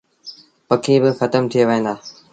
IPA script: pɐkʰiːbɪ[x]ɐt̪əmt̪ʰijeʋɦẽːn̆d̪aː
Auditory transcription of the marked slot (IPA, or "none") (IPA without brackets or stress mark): x